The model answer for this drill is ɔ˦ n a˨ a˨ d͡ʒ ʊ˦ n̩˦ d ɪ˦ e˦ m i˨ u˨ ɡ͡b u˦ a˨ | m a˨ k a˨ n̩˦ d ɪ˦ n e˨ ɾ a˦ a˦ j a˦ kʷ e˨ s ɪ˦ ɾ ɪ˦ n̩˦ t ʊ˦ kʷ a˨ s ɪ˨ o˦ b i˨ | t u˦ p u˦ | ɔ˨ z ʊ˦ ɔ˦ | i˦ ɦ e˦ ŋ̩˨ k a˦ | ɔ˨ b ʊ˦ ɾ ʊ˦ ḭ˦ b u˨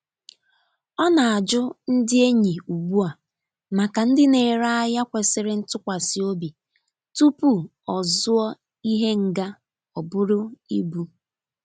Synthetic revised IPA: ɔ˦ n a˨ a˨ d͡ʒ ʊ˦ n̩˦ d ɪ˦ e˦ ɲ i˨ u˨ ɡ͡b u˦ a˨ | m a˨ k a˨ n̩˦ d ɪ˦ n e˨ ɾ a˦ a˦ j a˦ kʷ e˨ s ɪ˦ ɾ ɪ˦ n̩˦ t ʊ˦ kʷ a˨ s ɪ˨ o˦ b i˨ | t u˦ p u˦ | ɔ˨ z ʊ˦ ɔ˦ | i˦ ɦ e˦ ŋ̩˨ ɡ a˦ | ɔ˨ b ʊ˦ ɾ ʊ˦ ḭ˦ b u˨

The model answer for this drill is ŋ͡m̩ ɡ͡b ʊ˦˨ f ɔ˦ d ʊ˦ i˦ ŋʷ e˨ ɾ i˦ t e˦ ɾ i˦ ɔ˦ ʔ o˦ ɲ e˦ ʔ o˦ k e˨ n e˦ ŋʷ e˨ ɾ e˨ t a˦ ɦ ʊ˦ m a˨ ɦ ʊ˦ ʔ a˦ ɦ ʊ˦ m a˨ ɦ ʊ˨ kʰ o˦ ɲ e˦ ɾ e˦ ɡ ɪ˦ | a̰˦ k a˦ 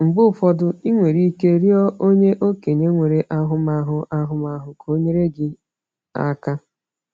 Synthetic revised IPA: ŋ͡m̩ ɡ͡b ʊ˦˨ f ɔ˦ d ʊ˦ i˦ ŋʷ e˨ ɾ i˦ k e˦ ɾ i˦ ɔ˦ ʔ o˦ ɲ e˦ ʔ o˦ k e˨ ɲ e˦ ŋʷ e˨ ɾ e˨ ʔ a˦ ɦ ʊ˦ m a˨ ɦ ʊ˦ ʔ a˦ ɦ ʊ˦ m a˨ ɦ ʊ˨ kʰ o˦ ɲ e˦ ɾ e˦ ɡ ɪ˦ | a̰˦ k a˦

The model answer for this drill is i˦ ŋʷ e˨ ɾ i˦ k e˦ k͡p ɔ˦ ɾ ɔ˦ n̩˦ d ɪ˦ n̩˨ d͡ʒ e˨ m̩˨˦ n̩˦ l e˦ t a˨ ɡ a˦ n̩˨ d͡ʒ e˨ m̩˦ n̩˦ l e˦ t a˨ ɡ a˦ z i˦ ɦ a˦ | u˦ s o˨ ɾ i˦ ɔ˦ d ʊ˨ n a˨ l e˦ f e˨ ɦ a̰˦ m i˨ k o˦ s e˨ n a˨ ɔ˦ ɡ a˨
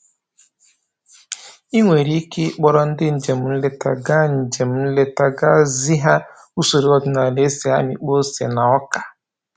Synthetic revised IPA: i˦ ŋʷ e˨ ɾ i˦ k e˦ k͡p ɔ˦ ɾ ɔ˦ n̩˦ d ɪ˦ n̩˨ d͡ʒ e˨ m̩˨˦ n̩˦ l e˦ t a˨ ɡ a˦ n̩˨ d͡ʒ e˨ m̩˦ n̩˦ l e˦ t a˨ ɡ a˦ z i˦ ɦ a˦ | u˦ s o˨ ɾ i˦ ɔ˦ d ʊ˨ n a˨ l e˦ s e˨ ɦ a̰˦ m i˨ k͡p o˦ s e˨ n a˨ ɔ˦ k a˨

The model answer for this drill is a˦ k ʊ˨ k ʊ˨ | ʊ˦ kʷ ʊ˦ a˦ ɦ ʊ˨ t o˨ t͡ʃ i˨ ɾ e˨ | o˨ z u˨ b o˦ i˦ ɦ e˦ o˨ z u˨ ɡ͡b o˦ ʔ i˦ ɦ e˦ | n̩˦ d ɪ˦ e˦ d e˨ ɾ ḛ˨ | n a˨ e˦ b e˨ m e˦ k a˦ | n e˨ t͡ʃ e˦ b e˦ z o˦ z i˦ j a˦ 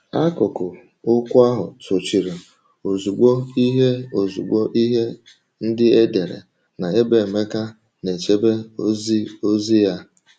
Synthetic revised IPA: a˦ k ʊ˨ k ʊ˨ | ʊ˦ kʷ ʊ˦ a˦ ɦ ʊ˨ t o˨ t͡ʃ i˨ ɾ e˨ | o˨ z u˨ ɡ͡b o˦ i˦ ɦ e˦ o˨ z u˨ ɡ͡b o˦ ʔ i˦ ɦ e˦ | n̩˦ d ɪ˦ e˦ d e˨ ɾ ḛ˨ | n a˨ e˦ b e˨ m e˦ k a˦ | n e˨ t͡ʃ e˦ b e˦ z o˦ z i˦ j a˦

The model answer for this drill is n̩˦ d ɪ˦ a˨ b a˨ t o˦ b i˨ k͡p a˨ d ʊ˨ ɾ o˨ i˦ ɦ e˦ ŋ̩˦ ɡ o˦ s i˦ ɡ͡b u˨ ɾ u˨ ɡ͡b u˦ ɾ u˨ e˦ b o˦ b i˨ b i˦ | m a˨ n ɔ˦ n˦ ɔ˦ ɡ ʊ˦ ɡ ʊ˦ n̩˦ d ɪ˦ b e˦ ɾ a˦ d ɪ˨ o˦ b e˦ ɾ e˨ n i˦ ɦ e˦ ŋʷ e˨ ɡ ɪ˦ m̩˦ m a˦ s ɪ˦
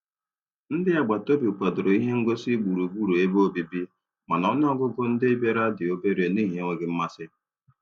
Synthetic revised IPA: n̩˦ d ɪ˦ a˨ ɡ͡b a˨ t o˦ b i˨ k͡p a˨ d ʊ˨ ɾ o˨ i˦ ɦ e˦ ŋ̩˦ ɡ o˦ s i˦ ɡ͡b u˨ ɾ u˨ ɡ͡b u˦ ɾ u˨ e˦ b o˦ b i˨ b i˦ | m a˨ n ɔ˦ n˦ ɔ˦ ɡ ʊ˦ ɡ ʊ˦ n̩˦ d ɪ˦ b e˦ ɾ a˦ d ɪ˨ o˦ b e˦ ɾ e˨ n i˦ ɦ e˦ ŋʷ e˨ ɡ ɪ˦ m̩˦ m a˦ s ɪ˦

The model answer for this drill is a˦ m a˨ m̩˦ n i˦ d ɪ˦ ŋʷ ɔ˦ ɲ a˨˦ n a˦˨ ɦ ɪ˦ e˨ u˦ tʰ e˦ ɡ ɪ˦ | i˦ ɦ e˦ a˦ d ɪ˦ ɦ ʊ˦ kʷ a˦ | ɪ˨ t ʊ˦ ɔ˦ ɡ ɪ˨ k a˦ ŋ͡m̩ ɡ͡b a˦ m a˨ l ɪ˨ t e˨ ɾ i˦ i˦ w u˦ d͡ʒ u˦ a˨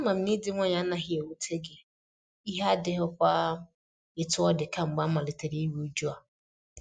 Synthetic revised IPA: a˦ m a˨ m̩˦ n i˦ d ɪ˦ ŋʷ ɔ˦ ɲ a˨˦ n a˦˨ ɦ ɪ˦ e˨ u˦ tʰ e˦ ɡ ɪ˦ | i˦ ɦ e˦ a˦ d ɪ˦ ɦ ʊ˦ kʷ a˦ | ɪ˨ t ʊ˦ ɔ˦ d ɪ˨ k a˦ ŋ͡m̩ ɡ͡b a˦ m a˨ l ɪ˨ t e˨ ɾ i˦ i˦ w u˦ d͡ʒ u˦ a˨

